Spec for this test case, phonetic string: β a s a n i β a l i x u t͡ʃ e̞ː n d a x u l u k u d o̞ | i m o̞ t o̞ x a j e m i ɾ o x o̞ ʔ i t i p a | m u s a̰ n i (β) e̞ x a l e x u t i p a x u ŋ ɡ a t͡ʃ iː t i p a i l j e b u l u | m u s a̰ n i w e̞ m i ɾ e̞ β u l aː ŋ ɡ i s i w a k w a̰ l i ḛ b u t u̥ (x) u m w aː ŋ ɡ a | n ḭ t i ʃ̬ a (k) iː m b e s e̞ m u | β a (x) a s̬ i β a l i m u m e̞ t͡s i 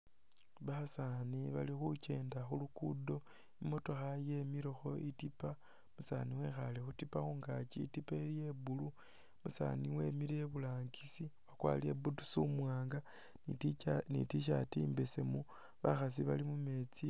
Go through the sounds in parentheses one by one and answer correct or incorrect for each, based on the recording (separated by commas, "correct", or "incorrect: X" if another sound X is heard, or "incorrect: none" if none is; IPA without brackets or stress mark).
incorrect: w, incorrect: s, incorrect: t, correct